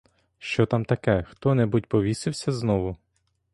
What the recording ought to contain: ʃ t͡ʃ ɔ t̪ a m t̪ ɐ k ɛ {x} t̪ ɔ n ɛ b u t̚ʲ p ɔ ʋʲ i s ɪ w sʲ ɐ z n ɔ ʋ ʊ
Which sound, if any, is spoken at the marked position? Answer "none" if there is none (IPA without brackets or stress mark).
x